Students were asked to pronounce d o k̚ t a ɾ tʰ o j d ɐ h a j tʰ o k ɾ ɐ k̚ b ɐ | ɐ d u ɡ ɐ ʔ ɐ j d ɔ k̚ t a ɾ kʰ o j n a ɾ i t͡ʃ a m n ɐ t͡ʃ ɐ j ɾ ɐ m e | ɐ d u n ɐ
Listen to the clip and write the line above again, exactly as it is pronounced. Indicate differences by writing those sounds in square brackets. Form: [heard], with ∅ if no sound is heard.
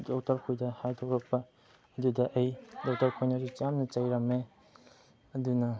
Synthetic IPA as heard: d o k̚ t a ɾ [kʰ] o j d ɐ h a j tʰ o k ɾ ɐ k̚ [p] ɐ | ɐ d u [d] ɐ ʔ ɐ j d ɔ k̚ t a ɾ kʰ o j n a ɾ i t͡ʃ a m n ɐ t͡ʃ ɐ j ɾ ɐ m e | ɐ d u n ɐ